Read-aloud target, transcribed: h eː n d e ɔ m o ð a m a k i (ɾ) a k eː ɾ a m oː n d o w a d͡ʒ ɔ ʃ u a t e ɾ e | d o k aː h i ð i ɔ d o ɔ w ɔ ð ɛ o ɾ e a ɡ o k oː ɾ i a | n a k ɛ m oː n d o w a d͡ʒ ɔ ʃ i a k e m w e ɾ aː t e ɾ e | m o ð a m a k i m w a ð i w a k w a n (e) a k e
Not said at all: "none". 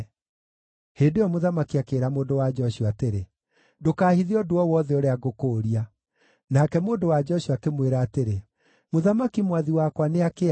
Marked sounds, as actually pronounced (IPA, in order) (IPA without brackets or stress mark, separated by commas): none, e